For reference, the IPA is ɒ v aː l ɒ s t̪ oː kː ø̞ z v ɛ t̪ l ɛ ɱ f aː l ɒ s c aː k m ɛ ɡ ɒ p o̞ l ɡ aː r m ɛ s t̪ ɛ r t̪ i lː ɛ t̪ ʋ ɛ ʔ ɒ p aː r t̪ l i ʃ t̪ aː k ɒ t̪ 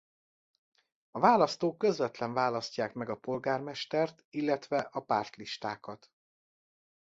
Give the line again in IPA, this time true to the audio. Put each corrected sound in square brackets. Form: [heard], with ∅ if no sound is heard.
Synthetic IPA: ɒ v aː l ɒ s t̪ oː kː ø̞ z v ɛ t̪ l ɛ ɱ [v] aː l ɒ s c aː k m ɛ ɡ ɒ p o̞ l ɡ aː r m ɛ [ʃ] t̪ ɛ r t̪ i lː ɛ t̪ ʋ ɛ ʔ ɒ p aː r t̪ l i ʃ t̪ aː k ɒ t̪

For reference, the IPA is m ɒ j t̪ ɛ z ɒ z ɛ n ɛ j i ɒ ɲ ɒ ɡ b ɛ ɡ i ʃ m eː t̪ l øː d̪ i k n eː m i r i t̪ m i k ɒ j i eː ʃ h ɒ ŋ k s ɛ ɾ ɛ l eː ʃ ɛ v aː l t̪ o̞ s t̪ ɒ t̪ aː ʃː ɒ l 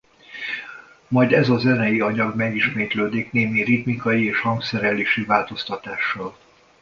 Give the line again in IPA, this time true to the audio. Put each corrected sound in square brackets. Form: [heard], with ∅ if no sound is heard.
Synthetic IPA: m ɒ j [d̪] ɛ z ɒ z ɛ n ɛ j i ɒ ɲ ɒ ɡ [m] ɛ ɡ i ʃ m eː t̪ l øː d̪ i k n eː m i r i t̪ m i k ɒ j i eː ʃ h ɒ ŋ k s ɛ ɾ ɛ l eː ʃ [i] v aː l t̪ o̞ s t̪ ɒ t̪ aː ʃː ɒ l

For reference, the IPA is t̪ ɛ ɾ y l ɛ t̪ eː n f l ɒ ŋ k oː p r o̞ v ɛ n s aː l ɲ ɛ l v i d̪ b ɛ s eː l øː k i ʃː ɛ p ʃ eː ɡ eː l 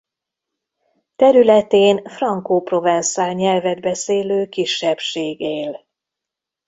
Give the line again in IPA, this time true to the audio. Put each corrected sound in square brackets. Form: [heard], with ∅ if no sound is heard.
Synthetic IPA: t̪ ɛ ɾ y l ɛ t̪ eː n f [r] ɒ ŋ k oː p r o̞ v ɛ n s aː l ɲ ɛ l v [ɛ] d̪ b ɛ s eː l øː k i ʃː ɛ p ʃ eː ɡ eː l

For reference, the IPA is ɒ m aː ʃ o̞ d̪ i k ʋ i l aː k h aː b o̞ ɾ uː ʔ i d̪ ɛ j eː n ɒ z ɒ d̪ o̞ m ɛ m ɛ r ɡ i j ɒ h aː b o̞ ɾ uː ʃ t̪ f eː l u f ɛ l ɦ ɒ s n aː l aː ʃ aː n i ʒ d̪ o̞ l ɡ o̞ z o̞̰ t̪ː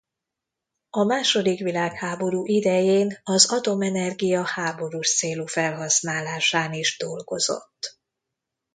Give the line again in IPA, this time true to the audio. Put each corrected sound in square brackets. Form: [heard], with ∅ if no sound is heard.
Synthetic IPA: ɒ m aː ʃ o̞ d̪ i k ʋ i l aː k h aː b o̞ ɾ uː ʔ i d̪ ɛ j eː n ɒ z ɒ [t̪] o̞ m ɛ [n] ɛ r ɡ i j ɒ h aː b o̞ ɾ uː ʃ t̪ [s] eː l u f ɛ l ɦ ɒ s n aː l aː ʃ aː n i ʒ d̪ o̞ l ɡ o̞ z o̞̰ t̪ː

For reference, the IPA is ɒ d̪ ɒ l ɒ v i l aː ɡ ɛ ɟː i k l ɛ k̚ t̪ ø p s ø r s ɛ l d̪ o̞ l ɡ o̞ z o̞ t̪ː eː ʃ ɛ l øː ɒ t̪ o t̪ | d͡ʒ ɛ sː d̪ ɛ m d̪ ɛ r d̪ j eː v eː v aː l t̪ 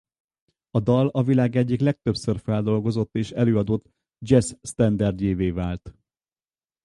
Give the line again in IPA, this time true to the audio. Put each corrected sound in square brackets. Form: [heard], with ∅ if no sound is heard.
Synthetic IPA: ɒ d̪ ɒ l ɒ v i l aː ɡ ɛ ɟː i k l ɛ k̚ t̪ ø p s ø r [f] ɛ l d̪ o̞ l ɡ o̞ z o̞ t̪ː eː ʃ ɛ l øː ɒ [d̪] o t̪ | d͡ʒ ɛ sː [t̪] ɛ [n] d̪ ɛ r d̪ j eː v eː v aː l t̪

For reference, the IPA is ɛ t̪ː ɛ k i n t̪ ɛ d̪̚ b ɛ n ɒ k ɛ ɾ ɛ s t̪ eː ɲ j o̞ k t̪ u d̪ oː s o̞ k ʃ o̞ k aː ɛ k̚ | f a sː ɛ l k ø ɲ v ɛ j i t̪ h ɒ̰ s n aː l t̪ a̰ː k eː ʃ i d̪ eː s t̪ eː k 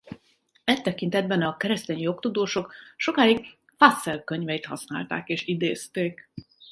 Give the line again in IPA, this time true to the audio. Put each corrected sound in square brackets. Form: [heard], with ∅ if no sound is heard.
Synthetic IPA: ɛ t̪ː ɛ k i n t̪ ɛ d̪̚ b ɛ n ɒ k ɛ ɾ ɛ s t̪ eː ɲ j o̞ k t̪ u d̪ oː [ʃ] o̞ k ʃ o̞ k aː [i] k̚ | f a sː ɛ l k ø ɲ v ɛ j i t̪ h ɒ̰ s n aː l t̪ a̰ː k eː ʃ i d̪ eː s t̪ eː k

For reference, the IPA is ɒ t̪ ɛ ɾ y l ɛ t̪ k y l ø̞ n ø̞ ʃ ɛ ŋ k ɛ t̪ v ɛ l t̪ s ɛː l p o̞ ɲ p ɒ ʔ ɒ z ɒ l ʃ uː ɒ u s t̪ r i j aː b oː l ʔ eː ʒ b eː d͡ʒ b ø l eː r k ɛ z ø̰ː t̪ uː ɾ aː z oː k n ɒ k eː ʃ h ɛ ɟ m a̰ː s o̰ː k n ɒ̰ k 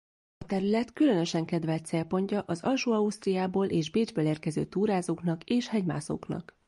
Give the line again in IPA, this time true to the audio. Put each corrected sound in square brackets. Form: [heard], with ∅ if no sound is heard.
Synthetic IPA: ɒ t̪ ɛ ɾ y l ɛ t̪ k y l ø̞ n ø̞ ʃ ɛ ŋ k ɛ [d̪] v ɛ l t̪ s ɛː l p o̞ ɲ [c] ɒ ʔ ɒ z ɒ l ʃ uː ɒ u s t̪ r i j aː b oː l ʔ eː ʒ b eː d͡ʒ b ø l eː r k ɛ z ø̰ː t̪ uː ɾ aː z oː k n ɒ k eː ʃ h ɛ ɟ m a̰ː s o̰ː k n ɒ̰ k

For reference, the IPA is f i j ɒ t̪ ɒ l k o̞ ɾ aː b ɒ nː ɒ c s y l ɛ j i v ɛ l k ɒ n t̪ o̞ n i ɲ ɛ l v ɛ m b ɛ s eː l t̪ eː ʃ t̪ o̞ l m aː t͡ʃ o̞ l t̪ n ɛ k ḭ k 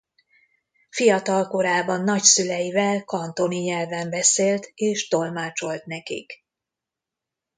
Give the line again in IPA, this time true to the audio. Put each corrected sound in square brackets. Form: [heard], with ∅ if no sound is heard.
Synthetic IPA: f i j ɒ t̪ ɒ l k o̞ ɾ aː b ɒ nː ɒ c s y l ɛ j i v ɛ l k ɒ n t̪ o̞ n i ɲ ɛ l v ɛ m b ɛ s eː l t̪ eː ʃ t̪ o̞ l m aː t͡ʃ o̞ l t̪ n ɛ k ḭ k

